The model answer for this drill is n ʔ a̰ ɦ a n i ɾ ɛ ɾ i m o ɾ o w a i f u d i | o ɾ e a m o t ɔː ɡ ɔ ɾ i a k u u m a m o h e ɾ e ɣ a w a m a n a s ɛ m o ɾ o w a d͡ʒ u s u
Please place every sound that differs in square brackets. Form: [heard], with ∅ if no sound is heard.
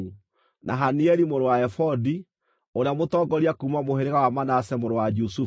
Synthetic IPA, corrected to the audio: n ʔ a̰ ɦ a n i [∅] ɛ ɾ i m o ɾ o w a [ɛ] f [ɔ] d i | o ɾ e a m o t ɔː ɡ ɔ ɾ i a k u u m a m o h e ɾ e ɣ a w a m a n a s ɛ m o ɾ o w a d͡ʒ u s u